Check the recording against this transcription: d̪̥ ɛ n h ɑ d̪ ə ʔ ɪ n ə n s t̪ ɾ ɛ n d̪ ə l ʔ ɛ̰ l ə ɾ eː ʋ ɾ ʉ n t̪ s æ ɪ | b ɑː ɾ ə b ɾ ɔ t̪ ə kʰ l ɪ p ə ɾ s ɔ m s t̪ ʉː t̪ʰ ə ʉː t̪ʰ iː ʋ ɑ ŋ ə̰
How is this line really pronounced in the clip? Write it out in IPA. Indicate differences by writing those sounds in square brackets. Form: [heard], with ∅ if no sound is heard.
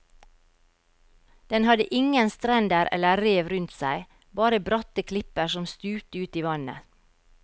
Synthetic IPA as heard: d̪̥ ɛ n h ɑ d̪ ə ʔ ɪ [ŋ] ə n s t̪ ɾ ɛ n d̪ ə [ɾ] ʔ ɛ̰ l ə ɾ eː ʋ ɾ ʉ n t̪ s æ ɪ | b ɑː ɾ ə b ɾ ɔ t̪ ə kʰ l ɪ p ə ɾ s ɔ m s t̪ ʉː [t̪] ə ʉː [t̪] iː ʋ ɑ [n] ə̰

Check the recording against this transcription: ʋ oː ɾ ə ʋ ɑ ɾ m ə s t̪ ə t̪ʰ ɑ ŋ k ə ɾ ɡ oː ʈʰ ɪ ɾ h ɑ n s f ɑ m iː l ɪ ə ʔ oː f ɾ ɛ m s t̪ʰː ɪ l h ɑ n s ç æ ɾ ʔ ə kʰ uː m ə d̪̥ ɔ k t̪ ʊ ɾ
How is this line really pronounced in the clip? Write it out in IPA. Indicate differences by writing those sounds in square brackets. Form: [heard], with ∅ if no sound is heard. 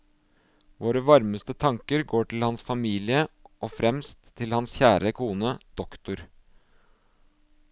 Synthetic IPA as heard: ʋ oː ɾ ə ʋ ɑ ɾ m ə s t̪ ə t̪ʰ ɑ ŋ k ə ɾ ɡ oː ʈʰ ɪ [l] h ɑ n s f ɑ m iː l ɪ ə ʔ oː f ɾ ɛ m s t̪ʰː ɪ l h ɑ n s ç [æː] ɾ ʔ ə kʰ uː [n] ə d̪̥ ɔ k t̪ ʊ ɾ

